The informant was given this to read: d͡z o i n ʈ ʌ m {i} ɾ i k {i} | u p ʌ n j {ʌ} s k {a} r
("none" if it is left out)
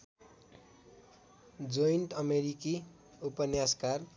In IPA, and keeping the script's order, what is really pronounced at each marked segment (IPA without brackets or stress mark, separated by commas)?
e, i, a, a